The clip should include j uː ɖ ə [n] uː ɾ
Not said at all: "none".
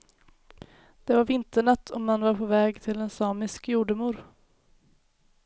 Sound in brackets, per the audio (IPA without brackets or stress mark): m